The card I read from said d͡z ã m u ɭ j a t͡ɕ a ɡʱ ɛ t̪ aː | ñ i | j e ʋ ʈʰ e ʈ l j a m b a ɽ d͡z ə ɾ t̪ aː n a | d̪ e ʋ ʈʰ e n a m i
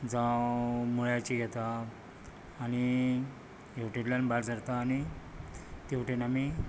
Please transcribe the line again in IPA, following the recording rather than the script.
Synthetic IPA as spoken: d͡z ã m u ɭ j a t͡ɕ i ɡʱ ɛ t̪ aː | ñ i | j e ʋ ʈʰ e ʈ l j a n b a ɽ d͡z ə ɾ t̪ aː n i | t̪ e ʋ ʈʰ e n a m i